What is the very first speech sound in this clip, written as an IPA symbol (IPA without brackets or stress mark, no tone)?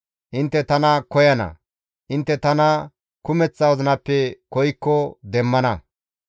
ʔ